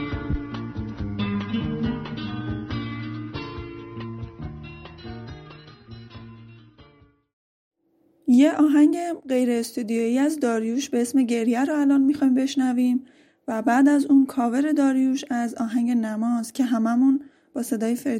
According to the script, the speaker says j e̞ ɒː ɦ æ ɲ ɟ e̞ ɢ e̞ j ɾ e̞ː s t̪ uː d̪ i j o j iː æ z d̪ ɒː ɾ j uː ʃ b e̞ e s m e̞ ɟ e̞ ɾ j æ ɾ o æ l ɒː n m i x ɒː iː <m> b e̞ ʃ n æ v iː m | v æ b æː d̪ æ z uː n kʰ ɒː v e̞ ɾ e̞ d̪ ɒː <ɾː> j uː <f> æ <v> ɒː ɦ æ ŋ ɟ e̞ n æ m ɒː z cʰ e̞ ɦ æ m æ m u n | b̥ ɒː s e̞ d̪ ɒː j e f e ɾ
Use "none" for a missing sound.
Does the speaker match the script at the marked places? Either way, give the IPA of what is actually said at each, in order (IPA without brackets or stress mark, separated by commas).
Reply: m, ɾ, ʃ, z